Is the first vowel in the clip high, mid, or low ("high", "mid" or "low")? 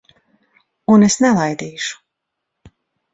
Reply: high